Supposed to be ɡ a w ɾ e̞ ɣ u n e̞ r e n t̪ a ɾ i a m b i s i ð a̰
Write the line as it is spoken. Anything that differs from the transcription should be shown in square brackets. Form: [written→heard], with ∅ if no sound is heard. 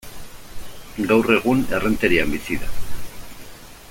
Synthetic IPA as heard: ɡ a w [ɾ→r] e̞ ɣ u n e̞ r e n t̪ [a→e] ɾ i a m b i s i ð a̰